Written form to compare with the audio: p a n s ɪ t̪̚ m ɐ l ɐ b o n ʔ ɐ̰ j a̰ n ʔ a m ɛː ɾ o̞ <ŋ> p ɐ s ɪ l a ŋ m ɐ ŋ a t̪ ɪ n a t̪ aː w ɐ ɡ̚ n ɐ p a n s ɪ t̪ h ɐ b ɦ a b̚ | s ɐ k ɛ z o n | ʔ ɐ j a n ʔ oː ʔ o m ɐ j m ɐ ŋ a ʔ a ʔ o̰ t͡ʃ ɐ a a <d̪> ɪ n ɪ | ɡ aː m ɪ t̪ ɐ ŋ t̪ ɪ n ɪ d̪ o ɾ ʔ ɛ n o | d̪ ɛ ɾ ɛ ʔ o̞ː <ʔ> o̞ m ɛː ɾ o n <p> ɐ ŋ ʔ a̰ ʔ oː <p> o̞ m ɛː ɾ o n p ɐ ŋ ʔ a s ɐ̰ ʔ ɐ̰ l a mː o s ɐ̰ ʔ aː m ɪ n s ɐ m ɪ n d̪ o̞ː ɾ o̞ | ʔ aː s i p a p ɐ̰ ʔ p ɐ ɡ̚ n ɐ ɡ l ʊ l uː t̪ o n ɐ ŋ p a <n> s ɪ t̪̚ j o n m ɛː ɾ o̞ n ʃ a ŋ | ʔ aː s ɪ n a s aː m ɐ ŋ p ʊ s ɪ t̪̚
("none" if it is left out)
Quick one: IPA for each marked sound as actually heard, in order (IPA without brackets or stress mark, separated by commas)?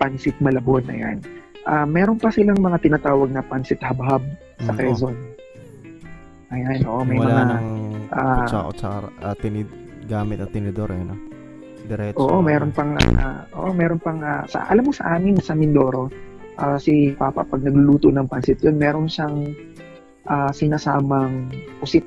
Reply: n, t̪, ʔ, p, ʔ, n